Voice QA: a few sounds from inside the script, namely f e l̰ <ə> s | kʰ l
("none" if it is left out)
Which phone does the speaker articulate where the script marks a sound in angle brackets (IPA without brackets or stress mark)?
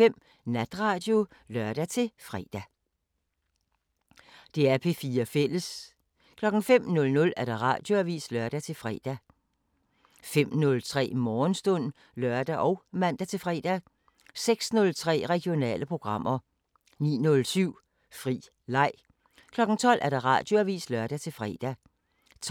ə